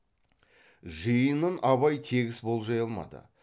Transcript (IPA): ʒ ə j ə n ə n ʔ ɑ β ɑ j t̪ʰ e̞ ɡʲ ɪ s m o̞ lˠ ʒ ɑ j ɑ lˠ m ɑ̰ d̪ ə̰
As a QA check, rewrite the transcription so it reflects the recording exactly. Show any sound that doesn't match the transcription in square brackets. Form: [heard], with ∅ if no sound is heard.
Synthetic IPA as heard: ʒ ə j ə n ə n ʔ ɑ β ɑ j t̪ʰ e̞ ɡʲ ɪ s [b] o̞ lˠ ʒ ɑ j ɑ lˠ m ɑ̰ d̪ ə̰